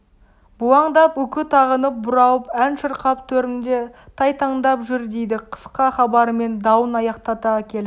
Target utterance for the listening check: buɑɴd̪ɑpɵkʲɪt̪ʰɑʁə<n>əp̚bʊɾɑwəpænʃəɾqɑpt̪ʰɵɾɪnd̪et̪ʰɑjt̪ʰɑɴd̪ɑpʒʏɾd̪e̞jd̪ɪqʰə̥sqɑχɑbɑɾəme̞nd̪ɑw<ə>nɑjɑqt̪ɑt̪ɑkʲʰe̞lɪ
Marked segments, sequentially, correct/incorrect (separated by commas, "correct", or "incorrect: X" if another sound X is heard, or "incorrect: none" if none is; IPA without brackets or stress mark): correct, correct